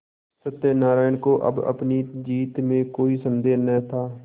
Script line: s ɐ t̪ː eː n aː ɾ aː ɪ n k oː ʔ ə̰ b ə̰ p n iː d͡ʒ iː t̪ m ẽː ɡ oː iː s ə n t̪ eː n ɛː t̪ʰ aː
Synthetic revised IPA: s ə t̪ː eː n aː ɾ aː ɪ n k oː ʔ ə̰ b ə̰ p n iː d͡ʒ iː t̪ m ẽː k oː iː s ə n d̪ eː n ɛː t̪ʰ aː